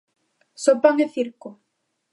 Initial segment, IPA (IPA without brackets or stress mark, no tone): s